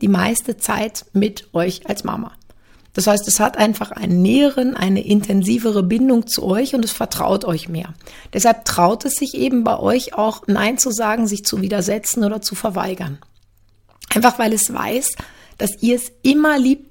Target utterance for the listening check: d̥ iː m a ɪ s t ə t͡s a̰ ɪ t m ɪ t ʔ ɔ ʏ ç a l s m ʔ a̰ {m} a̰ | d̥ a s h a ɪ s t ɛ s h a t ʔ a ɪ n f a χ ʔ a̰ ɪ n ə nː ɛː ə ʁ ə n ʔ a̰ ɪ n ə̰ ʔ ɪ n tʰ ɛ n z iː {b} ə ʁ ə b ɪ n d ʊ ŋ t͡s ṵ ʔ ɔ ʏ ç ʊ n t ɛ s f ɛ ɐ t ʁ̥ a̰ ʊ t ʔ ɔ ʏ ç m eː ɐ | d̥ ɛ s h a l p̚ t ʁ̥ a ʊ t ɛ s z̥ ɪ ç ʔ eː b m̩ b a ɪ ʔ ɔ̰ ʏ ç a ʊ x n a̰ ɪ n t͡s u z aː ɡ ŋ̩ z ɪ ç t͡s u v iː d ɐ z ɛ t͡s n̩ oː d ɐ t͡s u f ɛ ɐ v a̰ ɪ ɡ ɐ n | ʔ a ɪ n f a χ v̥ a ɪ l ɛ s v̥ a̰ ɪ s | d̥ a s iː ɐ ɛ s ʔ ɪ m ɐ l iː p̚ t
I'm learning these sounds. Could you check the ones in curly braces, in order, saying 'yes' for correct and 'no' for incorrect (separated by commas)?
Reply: yes, no